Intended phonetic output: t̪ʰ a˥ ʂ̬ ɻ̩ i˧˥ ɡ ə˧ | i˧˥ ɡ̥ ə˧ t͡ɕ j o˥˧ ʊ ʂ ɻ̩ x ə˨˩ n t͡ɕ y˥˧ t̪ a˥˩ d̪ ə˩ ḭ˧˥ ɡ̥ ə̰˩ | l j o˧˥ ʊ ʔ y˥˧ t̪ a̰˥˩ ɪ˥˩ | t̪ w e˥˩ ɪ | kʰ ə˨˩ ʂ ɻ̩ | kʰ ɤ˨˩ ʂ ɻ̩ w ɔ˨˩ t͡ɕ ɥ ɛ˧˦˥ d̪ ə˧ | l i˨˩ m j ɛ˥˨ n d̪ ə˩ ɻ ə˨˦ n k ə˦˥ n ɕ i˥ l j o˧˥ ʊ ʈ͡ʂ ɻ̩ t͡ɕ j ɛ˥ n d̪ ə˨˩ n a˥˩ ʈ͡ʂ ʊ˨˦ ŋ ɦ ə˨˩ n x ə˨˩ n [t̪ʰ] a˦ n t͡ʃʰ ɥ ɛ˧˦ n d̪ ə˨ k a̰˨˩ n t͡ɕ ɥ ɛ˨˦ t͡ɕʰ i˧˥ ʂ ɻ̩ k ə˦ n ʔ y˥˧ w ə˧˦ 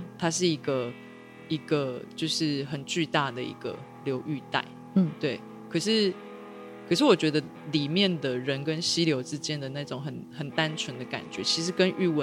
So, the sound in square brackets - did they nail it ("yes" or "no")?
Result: no